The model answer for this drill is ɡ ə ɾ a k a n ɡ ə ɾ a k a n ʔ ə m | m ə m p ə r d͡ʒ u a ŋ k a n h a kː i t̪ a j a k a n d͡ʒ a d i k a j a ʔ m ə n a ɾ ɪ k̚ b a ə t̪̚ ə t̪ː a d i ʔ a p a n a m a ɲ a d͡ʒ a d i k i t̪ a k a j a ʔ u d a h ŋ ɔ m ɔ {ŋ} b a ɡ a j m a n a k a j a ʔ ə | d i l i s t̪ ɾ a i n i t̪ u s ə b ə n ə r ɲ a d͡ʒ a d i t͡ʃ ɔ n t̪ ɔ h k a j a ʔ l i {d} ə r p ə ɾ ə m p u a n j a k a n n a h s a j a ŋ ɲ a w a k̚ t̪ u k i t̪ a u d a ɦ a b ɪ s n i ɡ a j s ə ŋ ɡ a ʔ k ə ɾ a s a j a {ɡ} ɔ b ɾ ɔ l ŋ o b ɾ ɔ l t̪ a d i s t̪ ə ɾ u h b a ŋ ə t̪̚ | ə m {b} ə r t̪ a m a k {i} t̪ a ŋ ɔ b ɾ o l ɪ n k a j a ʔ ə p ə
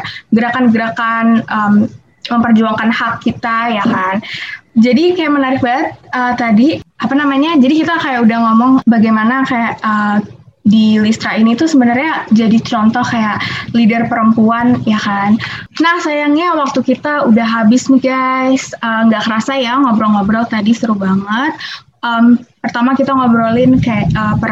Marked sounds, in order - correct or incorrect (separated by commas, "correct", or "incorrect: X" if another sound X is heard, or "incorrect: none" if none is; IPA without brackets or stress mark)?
correct, correct, incorrect: ŋ, incorrect: p, correct